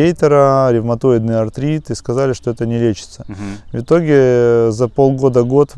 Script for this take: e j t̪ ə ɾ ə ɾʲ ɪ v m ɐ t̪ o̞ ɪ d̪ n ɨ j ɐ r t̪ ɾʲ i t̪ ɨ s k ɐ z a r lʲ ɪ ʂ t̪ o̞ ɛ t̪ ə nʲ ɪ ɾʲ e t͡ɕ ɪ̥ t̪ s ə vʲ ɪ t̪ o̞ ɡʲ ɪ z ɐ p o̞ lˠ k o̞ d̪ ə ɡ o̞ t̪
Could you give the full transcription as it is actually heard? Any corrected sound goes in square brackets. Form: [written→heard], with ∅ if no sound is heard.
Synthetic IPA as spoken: e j t̪ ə ɾ ə ɾʲ ɪ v m ɐ t̪ o̞ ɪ d̪ n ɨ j ɐ r t̪ ɾʲ i t̪ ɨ s k ɐ z a [r→∅] lʲ ɪ ʂ t̪ o̞ ɛ t̪ ə nʲ ɪ [ɾʲ→lʲ] e t͡ɕ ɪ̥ t̪ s ə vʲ ɪ t̪ o̞ ɡʲ ɪ z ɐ p o̞ lˠ [k→ɡ] o̞ d̪ ə ɡ o̞ t̪